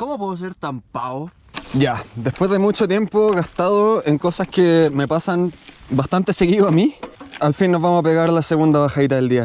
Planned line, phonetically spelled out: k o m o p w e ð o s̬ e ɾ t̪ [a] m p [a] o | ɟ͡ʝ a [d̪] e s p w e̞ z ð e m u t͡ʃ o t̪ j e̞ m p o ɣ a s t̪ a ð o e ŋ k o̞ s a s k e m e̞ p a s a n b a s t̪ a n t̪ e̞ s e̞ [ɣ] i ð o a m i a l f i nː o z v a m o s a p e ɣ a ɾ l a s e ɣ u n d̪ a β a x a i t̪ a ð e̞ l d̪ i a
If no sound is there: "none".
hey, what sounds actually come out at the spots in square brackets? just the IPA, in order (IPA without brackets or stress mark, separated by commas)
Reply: a, a, d̪, ɣ